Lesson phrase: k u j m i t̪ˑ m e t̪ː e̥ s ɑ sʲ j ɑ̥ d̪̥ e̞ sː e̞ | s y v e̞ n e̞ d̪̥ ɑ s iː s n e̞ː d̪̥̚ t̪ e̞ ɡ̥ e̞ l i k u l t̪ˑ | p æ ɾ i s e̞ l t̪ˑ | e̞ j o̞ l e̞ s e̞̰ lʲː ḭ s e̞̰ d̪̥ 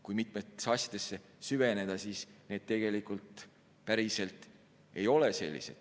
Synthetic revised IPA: k u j m i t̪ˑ m e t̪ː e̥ s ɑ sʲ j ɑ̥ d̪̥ e̞ sː e̞ | s y v e̞ n e̞ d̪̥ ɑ s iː s n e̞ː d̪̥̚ t̪ e̞ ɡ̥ e̞ l i k u l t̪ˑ | p æ ɾ i s e̞ l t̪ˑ | e̞ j o̞ l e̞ s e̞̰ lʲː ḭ s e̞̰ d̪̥